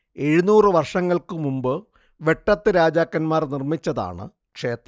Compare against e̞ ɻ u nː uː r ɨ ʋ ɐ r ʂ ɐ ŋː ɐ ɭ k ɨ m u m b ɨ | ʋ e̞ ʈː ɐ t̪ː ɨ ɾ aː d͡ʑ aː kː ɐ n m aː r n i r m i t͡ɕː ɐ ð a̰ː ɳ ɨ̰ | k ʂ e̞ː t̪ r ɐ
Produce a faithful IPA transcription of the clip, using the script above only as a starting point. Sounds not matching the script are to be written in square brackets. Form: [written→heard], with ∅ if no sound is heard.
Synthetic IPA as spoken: e̞ ɻ u [nː→n] uː r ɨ ʋ ɐ r ʂ ɐ ŋː ɐ ɭ k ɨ m u m b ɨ | ʋ e̞ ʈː ɐ t̪ː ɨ ɾ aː d͡ʑ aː kː ɐ n m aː r n i r m i t͡ɕː ɐ ð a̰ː ɳ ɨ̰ | k ʂ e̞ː t̪ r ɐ